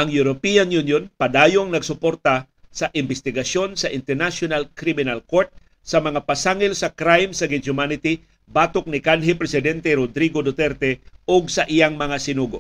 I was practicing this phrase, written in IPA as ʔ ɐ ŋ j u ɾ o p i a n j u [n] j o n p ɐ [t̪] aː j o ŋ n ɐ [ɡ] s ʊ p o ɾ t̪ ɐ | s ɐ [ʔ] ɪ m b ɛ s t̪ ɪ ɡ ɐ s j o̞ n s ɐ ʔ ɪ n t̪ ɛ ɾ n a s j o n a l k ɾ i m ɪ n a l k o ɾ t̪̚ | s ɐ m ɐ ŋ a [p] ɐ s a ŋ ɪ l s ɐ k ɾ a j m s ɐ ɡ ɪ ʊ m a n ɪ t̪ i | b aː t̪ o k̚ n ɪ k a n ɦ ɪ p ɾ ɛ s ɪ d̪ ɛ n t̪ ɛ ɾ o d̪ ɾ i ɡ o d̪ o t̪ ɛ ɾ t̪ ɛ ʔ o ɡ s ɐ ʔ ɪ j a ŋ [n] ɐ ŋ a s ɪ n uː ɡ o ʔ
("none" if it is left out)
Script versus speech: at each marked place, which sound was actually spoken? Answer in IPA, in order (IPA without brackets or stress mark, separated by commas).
n, d̪, ɡ, ʔ, p, m